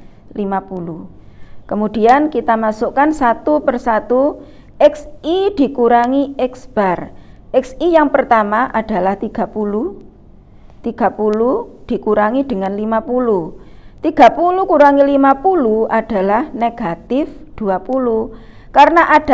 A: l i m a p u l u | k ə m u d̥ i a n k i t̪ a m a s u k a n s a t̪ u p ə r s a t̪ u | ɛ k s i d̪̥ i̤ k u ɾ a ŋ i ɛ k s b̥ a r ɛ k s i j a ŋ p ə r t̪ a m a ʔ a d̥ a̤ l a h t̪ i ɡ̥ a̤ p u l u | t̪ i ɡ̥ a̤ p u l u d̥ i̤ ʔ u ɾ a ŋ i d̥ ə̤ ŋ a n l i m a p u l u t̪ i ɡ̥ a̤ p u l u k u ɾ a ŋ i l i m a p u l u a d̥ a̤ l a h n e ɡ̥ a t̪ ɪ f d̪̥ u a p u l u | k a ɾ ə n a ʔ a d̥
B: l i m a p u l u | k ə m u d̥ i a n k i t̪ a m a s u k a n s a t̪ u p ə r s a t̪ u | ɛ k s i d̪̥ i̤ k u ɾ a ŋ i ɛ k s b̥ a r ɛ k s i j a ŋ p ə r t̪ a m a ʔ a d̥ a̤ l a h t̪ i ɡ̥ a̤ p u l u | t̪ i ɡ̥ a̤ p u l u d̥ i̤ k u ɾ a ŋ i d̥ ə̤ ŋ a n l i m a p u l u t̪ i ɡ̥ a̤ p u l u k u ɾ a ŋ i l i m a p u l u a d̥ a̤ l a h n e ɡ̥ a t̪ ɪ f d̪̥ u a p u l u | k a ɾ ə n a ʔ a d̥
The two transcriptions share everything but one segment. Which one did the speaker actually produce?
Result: B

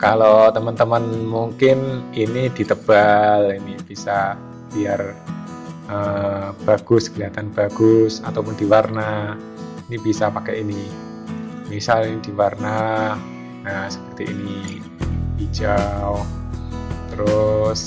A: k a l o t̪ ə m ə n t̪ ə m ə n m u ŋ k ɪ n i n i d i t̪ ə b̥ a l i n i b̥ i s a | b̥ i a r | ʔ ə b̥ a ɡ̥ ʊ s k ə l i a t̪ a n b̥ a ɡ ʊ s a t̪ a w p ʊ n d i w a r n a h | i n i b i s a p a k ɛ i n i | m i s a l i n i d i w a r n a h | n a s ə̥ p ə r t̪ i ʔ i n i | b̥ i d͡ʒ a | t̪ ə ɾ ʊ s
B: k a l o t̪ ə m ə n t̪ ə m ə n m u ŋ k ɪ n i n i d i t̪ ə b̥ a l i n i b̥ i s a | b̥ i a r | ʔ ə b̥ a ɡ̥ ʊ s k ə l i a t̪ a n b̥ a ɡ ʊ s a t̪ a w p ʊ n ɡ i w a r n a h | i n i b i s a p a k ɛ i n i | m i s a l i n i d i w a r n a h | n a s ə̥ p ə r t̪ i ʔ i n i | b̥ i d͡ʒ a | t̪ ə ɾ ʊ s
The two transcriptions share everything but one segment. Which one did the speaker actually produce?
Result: A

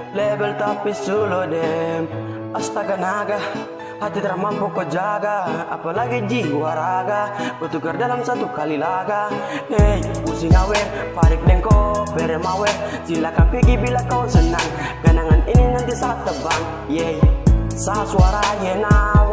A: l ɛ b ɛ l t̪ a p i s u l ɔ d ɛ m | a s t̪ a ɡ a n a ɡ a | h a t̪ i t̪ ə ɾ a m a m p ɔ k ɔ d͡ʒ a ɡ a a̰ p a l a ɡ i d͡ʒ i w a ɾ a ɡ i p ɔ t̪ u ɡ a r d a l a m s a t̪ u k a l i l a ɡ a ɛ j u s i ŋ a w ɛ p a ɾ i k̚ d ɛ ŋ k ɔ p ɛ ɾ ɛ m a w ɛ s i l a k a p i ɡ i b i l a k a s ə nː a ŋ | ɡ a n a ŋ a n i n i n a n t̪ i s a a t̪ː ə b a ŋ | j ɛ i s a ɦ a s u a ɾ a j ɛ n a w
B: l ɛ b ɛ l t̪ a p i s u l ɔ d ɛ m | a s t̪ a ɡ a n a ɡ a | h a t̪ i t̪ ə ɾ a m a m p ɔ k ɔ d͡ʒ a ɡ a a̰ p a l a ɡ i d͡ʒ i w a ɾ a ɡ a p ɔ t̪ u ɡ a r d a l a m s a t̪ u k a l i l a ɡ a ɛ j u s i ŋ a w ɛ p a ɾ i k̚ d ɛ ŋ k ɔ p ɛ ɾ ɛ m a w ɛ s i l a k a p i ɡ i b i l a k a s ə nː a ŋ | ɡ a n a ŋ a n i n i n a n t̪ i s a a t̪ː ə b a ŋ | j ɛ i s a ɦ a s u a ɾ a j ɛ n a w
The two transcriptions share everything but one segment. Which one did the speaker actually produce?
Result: B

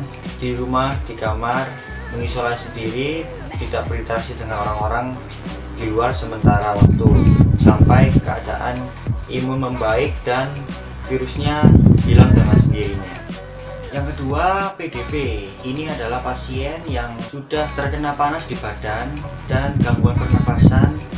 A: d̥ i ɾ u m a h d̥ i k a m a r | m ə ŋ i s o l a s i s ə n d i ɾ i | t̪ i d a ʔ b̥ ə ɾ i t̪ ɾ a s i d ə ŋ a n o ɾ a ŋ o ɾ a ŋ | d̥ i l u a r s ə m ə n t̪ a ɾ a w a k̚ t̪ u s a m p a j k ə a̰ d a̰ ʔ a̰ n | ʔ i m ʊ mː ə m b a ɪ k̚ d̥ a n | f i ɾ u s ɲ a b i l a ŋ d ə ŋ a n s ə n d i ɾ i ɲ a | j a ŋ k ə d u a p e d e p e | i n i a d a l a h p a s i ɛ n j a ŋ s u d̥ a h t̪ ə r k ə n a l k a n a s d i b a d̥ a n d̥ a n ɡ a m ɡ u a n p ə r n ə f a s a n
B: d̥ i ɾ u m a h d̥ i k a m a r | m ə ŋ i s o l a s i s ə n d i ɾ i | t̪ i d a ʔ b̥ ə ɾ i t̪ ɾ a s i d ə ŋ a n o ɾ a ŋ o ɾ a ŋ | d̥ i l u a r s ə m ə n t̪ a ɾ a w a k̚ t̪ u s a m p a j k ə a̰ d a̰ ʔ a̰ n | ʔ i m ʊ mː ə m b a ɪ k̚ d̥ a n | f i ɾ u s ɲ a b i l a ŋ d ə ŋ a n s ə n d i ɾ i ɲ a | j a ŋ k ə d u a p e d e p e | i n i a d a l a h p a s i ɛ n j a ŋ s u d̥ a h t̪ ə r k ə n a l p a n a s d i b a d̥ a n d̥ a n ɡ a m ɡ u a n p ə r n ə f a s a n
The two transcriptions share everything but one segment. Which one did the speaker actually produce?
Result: B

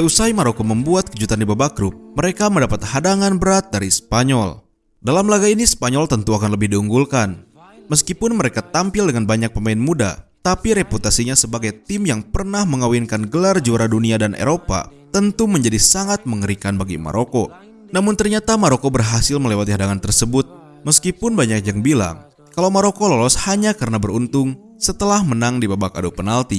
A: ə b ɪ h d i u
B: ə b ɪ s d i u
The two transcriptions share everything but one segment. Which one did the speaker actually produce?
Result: A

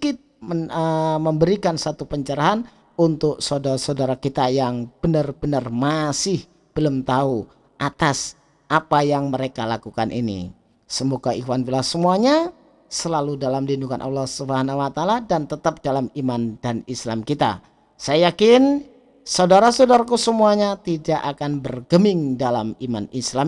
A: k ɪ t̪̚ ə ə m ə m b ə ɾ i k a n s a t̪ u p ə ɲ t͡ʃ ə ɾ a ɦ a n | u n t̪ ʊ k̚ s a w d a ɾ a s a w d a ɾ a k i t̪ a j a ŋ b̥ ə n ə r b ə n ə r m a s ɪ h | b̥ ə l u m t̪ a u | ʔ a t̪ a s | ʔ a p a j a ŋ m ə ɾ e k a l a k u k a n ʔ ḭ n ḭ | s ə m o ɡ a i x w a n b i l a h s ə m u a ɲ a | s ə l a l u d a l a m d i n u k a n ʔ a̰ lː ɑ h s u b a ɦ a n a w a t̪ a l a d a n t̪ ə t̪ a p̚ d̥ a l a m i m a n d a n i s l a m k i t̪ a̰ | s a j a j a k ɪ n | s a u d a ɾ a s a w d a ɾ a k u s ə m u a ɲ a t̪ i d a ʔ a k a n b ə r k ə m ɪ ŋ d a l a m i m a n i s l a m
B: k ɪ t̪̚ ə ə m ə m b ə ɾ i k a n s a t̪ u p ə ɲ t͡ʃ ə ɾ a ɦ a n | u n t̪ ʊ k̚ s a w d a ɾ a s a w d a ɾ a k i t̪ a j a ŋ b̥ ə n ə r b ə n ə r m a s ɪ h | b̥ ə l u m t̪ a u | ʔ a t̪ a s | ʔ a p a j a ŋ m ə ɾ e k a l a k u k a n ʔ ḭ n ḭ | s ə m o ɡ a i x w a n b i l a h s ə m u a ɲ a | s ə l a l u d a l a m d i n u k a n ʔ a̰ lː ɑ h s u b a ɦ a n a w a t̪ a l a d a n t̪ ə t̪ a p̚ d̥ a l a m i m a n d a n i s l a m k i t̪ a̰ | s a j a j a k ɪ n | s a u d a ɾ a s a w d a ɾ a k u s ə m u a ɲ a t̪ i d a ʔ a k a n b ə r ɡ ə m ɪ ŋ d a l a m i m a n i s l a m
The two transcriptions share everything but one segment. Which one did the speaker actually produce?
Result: B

